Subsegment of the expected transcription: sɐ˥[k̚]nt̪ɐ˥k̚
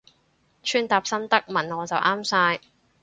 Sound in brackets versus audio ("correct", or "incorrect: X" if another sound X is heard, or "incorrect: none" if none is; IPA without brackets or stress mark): incorrect: none